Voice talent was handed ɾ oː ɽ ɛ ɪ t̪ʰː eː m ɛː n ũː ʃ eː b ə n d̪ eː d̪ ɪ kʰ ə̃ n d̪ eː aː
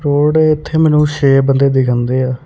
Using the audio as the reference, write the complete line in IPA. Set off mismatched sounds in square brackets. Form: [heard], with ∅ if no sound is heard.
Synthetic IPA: ɾ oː ɽ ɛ ɪ t̪ʰː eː m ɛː n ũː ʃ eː b ə n d̪ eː d̪ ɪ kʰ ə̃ n d̪ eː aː